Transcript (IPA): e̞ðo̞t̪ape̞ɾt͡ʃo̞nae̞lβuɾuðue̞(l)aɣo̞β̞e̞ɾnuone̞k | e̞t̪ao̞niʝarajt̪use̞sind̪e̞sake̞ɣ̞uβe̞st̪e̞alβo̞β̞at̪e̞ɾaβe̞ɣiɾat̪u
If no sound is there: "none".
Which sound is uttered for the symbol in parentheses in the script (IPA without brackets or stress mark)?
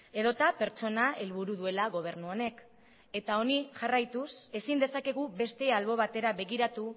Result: l